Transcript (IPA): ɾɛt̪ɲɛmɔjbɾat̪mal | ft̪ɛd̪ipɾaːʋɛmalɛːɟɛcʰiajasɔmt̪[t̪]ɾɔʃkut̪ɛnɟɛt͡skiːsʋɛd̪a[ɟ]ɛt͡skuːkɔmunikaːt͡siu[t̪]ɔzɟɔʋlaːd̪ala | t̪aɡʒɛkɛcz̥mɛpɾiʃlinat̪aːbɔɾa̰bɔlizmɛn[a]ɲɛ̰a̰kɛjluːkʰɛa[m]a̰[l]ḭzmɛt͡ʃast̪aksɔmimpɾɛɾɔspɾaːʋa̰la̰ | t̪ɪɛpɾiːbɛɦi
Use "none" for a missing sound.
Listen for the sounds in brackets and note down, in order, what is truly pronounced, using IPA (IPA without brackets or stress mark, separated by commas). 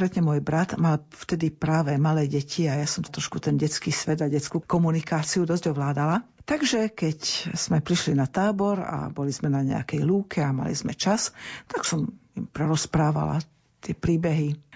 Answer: t̪, ɟ, d̪, a, m, l